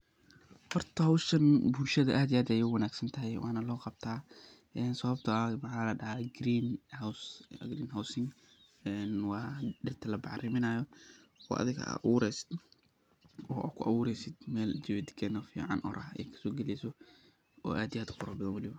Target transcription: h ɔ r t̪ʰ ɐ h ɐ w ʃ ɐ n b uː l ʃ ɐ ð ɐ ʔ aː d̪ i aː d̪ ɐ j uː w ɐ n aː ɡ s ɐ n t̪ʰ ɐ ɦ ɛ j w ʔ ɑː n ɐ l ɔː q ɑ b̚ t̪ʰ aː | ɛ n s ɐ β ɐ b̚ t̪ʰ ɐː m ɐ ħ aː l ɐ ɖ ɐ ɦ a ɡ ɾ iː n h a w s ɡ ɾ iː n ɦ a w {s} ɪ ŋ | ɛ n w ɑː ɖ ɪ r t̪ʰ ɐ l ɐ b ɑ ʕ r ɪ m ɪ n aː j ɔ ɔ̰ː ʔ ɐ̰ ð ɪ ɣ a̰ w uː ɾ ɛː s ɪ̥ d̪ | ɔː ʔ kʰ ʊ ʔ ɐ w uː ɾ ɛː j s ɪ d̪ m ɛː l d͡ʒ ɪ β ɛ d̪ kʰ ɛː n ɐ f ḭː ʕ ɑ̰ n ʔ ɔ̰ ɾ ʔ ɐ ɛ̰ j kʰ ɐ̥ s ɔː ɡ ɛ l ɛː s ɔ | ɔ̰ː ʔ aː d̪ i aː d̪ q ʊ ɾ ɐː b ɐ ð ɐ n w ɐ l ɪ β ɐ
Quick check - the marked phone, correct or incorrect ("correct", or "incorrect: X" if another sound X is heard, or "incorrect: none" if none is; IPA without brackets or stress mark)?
correct